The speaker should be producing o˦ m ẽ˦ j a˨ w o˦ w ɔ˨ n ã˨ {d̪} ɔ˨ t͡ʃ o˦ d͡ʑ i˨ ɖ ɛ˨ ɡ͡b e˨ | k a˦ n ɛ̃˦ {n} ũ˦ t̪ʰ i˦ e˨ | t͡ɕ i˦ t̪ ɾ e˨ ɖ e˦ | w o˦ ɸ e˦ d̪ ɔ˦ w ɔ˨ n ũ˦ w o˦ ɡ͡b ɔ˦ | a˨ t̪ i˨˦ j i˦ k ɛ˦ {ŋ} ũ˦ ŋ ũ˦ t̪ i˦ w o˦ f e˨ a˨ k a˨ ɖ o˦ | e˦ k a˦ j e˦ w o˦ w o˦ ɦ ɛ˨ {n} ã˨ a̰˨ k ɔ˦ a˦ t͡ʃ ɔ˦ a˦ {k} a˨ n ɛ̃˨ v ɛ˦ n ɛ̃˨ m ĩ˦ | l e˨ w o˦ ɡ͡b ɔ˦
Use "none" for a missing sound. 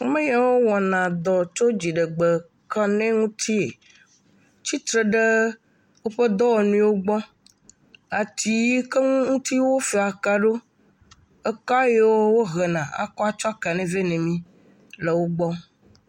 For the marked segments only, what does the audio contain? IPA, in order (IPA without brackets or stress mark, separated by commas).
d̪, ŋ, ŋ, n, k